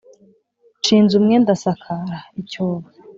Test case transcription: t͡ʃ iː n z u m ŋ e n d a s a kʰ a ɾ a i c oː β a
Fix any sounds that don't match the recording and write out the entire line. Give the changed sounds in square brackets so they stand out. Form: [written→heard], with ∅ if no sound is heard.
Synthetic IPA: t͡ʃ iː n z u m ŋ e n d a s a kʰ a ɾ a i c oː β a